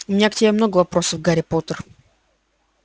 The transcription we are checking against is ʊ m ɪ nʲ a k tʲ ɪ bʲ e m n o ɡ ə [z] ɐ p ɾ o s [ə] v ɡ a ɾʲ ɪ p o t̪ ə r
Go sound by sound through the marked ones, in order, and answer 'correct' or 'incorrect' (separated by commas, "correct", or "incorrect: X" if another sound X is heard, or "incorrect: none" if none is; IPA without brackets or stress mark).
incorrect: v, correct